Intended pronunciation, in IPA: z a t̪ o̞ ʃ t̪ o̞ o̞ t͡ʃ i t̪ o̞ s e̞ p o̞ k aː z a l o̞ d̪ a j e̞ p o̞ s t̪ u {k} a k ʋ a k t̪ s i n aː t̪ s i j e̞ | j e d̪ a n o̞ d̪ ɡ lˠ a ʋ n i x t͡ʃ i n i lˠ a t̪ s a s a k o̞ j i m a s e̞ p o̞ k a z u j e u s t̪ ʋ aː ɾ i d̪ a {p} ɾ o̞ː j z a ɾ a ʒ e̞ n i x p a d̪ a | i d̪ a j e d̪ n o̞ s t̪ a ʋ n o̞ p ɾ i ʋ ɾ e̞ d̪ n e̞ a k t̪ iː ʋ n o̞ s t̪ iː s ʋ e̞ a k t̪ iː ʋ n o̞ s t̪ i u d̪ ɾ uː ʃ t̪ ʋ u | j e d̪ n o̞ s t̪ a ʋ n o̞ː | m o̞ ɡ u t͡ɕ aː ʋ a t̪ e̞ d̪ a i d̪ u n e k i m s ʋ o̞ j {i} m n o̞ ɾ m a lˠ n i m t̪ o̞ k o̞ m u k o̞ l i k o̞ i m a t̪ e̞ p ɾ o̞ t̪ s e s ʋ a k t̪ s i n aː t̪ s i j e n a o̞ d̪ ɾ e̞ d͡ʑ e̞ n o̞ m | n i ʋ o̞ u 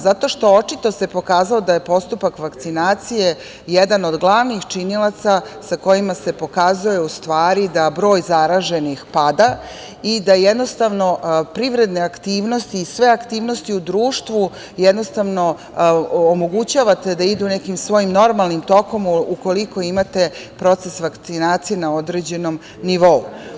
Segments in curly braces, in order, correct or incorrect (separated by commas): incorrect, incorrect, correct